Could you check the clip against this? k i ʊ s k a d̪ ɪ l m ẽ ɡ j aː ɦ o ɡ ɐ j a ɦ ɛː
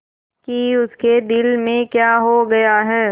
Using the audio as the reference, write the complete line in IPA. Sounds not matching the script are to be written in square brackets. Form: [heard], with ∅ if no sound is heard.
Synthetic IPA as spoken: k i ʊ s k [e] d̪ ɪ l m ẽ [k] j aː ɦ o ɡ ɐ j a ɦ ɛː